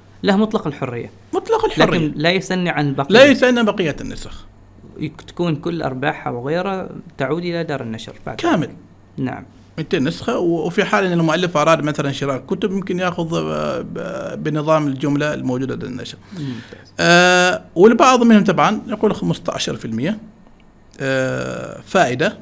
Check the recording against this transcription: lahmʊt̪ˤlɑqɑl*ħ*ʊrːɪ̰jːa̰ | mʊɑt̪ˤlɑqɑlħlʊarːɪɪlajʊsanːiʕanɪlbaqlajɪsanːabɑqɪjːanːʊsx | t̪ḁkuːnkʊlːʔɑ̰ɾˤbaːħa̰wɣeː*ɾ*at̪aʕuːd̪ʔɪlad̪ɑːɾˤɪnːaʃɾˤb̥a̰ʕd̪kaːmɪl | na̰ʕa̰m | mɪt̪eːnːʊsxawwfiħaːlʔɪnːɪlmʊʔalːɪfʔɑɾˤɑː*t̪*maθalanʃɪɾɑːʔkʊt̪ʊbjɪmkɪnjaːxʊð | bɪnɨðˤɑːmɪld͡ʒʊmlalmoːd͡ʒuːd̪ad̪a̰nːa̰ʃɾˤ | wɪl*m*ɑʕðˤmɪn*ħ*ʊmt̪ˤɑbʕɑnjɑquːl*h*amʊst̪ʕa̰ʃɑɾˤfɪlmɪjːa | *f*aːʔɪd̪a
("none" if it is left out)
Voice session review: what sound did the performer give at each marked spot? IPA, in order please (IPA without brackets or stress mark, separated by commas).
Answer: ħ, ɾ, d̪, b, h, x, f